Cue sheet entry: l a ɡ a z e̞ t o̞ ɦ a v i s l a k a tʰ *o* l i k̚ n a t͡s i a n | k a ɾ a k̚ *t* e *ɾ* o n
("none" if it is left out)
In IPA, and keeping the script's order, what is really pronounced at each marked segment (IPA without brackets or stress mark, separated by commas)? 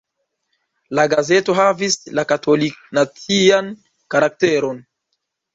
o, t, ɾ